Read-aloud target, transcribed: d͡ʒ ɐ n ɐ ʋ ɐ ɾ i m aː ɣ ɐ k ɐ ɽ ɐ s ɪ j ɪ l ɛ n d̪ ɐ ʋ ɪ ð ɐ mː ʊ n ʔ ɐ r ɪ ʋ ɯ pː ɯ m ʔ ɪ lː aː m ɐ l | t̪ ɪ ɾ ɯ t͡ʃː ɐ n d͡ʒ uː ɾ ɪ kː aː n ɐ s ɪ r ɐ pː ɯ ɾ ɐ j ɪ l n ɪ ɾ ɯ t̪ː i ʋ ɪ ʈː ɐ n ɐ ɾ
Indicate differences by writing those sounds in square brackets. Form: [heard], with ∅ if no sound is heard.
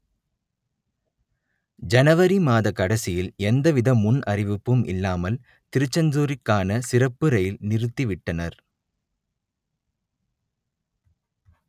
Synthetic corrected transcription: d͡ʒ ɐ n ɐ ʋ ɐ ɾ i m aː [ð] ɐ k ɐ ɽ ɐ s ɪ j ɪ l ɛ n d̪ ɐ ʋ ɪ ð ɐ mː ʊ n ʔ ɐ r ɪ ʋ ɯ pː ɯ m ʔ ɪ lː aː m ɐ l | t̪ ɪ ɾ ɯ t͡ʃː ɐ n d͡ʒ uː ɾ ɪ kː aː n ɐ s ɪ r ɐ pː ɯ ɾ ɐ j ɪ l n ɪ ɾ ɯ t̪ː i ʋ ɪ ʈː ɐ n ɐ ɾ

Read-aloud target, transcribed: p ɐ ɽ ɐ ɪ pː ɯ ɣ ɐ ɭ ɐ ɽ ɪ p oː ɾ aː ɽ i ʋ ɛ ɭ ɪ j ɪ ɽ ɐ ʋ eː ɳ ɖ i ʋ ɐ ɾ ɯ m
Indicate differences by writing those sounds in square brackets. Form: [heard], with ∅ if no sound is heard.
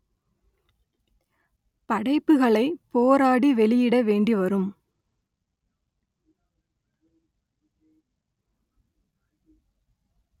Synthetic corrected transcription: p ɐ ɽ ɐ ɪ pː ɯ ɣ ɐ ɭ ɐ [∅] ɪ p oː ɾ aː ɽ i ʋ ɛ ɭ ɪ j ɪ ɽ ɐ ʋ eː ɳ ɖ i ʋ ɐ ɾ ɯ m

